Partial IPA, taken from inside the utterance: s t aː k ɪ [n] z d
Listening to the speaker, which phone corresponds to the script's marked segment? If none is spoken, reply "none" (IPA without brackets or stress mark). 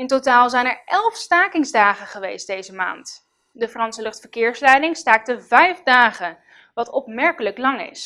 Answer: ŋ